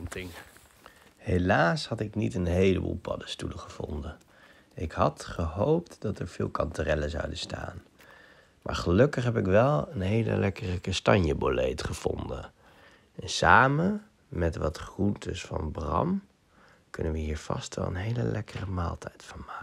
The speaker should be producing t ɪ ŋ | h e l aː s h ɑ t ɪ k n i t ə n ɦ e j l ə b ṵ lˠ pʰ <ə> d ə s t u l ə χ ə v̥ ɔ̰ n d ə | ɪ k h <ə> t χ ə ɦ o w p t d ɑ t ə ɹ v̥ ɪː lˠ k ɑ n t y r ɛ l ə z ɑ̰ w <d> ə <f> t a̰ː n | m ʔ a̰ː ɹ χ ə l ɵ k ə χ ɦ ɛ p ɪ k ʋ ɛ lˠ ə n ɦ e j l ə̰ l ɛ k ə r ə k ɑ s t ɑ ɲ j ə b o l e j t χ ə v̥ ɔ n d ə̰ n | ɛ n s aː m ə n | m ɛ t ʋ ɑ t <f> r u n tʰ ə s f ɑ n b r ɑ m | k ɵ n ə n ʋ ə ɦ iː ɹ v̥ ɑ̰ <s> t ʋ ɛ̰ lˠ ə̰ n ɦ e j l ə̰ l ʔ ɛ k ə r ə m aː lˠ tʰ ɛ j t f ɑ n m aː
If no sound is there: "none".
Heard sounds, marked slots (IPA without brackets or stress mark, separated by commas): ɑ, ɑ, d, s, χ, s